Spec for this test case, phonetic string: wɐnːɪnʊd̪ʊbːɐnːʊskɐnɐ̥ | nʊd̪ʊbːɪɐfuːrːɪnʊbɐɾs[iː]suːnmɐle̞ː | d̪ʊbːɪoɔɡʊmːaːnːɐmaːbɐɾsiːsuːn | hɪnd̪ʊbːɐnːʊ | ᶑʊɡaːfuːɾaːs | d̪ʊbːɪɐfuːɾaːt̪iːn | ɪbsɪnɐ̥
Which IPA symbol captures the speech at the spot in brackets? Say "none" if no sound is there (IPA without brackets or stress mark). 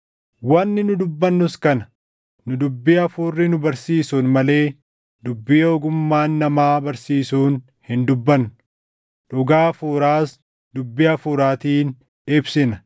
iː